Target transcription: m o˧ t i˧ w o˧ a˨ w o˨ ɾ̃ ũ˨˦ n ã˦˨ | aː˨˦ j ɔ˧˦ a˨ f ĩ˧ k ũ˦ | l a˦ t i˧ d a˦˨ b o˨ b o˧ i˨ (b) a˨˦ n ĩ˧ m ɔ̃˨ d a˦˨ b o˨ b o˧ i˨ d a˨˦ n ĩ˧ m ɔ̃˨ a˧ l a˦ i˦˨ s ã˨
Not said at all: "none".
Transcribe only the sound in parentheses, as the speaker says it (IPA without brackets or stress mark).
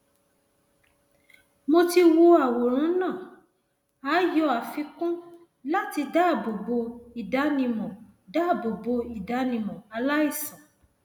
d